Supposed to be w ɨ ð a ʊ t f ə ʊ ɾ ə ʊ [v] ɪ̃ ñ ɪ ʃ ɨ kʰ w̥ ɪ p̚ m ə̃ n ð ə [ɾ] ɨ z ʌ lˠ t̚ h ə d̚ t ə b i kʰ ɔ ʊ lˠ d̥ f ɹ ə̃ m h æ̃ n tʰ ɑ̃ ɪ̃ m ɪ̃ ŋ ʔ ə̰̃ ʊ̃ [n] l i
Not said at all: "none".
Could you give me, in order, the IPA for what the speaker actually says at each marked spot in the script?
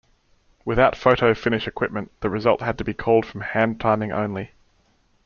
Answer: f, ɹ, n

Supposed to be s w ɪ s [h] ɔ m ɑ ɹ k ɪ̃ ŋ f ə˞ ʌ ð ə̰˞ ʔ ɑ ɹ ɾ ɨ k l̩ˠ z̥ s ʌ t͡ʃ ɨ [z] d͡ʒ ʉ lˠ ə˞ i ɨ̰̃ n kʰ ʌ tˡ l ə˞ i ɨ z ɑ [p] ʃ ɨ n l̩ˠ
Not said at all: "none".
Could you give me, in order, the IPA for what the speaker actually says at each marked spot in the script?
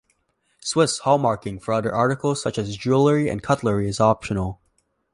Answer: h, z, p

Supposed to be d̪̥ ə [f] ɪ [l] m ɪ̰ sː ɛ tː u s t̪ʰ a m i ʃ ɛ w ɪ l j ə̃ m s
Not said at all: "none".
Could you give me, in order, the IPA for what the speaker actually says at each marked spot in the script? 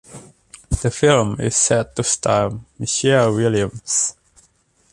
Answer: f, l

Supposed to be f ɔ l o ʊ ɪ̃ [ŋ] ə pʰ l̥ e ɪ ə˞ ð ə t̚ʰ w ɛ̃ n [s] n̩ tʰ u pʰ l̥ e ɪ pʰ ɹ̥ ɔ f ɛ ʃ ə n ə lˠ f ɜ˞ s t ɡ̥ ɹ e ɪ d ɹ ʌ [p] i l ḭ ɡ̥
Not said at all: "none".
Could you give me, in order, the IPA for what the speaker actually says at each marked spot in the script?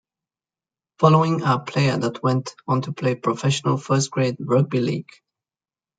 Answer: ŋ, t, b

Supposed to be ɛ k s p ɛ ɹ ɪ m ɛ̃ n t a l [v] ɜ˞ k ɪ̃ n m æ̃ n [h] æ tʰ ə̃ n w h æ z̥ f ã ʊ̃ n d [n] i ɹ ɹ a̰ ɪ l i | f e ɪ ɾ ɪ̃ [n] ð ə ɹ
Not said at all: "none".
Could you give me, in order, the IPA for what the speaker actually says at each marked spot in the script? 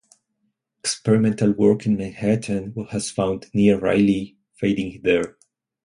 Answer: w, h, n, ŋ

